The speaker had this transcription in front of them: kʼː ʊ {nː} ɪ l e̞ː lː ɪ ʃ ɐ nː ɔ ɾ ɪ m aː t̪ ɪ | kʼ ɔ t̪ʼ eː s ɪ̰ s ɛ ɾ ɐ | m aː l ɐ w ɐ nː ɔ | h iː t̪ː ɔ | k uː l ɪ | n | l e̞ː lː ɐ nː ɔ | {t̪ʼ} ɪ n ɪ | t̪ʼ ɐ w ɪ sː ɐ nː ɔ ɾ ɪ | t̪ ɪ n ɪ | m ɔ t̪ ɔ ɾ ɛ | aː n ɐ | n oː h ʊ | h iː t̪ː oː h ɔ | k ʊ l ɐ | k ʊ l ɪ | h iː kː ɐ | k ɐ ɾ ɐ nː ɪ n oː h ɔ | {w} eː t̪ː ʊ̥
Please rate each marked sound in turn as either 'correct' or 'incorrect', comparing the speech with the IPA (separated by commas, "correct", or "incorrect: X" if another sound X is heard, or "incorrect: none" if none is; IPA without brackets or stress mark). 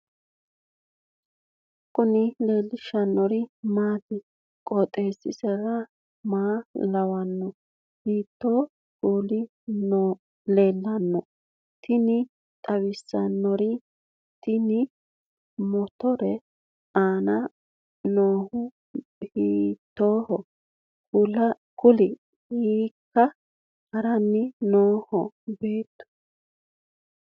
incorrect: n, incorrect: t̪, incorrect: b